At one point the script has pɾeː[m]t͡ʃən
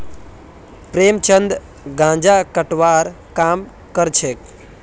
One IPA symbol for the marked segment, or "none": m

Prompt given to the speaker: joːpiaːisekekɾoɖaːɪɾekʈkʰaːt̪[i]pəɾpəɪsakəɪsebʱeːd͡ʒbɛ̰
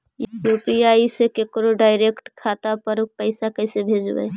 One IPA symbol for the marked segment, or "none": a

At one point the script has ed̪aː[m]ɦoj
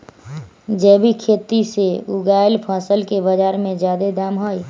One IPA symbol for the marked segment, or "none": m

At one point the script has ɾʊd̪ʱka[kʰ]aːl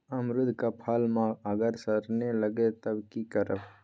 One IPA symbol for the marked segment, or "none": pʰ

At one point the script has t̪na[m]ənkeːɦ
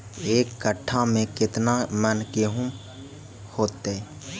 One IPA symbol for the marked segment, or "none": m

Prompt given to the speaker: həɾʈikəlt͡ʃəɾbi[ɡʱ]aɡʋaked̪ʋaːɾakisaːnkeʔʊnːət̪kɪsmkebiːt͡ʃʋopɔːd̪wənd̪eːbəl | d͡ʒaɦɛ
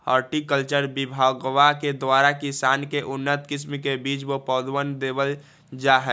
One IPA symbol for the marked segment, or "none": bʱ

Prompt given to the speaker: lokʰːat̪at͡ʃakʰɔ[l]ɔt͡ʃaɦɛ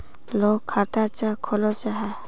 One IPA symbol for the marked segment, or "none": l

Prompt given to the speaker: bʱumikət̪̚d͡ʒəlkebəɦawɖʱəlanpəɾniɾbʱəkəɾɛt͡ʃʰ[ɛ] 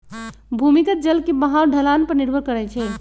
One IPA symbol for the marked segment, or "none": ɛ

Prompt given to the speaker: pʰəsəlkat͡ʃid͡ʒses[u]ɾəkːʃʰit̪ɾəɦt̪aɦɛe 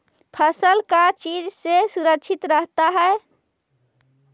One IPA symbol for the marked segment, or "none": u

